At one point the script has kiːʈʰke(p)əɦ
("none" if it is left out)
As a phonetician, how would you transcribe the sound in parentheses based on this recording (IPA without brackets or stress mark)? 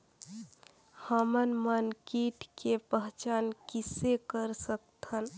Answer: p